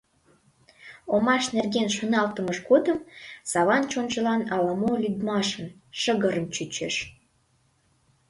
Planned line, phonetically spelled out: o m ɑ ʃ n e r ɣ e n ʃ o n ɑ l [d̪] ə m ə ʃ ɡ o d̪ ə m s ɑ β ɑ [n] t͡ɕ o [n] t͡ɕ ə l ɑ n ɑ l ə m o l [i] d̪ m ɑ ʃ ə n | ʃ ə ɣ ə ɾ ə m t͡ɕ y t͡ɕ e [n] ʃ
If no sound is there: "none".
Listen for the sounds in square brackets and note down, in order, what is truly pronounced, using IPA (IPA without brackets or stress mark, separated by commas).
t̪, n, n, y, none